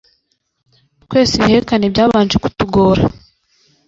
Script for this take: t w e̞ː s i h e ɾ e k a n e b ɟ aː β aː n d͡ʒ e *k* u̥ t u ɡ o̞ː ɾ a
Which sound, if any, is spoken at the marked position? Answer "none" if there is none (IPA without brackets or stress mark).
k